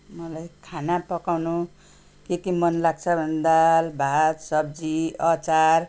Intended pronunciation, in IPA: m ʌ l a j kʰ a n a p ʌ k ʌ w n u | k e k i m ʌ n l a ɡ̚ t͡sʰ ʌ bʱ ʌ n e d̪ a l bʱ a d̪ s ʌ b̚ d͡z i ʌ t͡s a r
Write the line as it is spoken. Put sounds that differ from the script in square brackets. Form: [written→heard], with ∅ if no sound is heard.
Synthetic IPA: m ʌ l a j kʰ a n a p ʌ k [ʌ→a] w n u | k e k i m ʌ n l a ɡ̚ t͡sʰ ʌ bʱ ʌ n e d̪ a l bʱ a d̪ s ʌ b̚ d͡z i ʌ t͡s a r